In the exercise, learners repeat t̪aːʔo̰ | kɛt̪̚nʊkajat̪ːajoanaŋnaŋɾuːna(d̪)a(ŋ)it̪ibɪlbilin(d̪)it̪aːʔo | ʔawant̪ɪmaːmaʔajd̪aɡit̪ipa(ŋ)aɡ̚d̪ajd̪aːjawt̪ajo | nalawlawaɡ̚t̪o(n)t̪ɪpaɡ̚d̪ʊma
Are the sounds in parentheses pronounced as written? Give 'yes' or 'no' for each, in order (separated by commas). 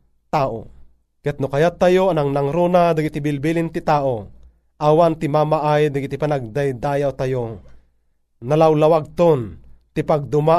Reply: yes, no, no, no, yes